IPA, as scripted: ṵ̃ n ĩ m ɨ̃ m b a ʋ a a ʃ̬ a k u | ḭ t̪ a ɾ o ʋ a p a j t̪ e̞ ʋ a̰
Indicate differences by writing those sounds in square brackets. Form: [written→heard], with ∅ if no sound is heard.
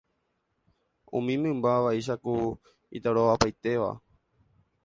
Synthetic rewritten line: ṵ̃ [n→m] ĩ m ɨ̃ m b a ʋ a [a→i] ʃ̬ a k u | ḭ t̪ a ɾ o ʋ a p a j t̪ e̞ ʋ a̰